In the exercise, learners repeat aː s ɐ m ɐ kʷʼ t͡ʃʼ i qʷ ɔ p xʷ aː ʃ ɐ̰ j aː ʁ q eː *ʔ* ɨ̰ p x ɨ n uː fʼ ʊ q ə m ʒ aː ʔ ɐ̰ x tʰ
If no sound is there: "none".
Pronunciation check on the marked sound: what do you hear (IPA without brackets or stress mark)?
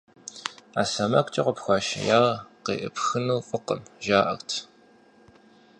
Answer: ʔ